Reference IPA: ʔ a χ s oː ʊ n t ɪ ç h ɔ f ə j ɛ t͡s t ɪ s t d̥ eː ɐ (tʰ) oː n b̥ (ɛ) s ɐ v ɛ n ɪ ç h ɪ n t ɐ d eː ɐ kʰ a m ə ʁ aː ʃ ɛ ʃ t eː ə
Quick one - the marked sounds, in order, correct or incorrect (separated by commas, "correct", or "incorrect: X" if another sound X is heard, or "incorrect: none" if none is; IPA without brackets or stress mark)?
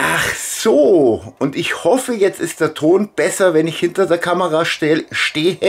correct, correct